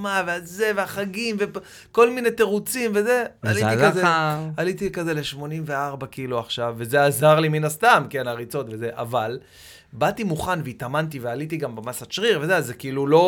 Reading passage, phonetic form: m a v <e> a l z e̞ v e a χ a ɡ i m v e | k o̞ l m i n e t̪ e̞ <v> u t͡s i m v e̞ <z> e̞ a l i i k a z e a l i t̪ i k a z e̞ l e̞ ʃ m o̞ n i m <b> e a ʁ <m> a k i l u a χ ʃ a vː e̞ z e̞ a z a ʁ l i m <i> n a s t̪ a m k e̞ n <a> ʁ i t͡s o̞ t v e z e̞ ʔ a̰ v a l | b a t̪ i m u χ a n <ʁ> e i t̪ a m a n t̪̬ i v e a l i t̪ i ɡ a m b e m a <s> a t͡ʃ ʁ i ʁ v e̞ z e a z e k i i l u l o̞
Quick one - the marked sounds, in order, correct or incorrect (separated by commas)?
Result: correct, incorrect, correct, incorrect, incorrect, correct, correct, incorrect, correct